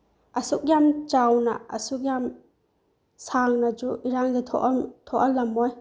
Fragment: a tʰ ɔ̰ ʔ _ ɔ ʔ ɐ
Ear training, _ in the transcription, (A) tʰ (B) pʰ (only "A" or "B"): A